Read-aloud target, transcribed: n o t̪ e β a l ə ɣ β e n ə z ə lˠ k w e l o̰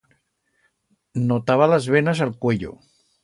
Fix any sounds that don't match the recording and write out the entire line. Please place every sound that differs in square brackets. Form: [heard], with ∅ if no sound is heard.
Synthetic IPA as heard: n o t̪ [a] β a l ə [z] β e n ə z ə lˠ k w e [ʎ] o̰